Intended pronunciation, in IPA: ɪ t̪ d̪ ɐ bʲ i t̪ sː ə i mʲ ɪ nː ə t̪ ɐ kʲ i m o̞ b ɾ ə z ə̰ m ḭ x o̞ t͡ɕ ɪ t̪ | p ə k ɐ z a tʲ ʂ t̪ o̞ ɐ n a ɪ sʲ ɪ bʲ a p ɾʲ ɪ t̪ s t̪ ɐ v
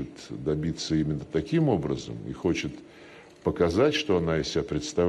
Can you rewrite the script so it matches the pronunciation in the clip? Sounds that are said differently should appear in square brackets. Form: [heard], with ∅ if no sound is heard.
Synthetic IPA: ɪ t̪ d̪ ɐ bʲ i t̪ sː ə i mʲ ɪ nː ə t̪ ɐ kʲ i m o̞ b ɾ ə z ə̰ m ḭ x o̞ t͡ɕ ɪ t̪ | p ə k ɐ z a tʲ ʂ t̪ o̞ ɐ n a ɪ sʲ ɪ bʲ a p ɾʲ ɪ t̪ s t̪ ɐ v